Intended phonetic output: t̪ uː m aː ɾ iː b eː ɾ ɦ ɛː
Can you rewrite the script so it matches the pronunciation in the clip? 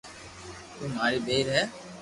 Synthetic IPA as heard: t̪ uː m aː ɾ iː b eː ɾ ɦ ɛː